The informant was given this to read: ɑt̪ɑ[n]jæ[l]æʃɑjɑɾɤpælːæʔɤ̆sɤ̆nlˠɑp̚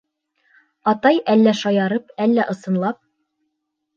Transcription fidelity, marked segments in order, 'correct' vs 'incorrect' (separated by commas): incorrect, incorrect